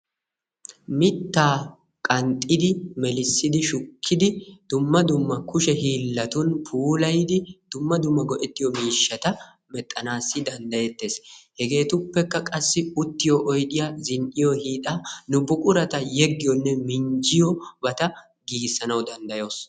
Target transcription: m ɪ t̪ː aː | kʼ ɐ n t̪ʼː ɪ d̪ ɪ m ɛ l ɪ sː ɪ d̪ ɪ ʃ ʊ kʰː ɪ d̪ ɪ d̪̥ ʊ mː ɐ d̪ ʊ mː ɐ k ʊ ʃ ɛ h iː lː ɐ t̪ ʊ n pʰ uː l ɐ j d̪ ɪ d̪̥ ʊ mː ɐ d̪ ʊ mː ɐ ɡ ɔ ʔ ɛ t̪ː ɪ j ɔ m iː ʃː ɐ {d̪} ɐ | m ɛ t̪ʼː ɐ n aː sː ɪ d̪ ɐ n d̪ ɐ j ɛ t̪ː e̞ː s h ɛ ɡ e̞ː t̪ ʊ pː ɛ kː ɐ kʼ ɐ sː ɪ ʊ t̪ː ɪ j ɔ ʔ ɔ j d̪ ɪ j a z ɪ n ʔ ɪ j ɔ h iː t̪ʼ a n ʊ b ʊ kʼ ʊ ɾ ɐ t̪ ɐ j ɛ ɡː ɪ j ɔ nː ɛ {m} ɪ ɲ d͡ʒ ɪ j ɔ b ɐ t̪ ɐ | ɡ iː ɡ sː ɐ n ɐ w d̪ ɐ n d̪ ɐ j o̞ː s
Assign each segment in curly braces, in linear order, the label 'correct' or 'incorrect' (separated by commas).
incorrect, correct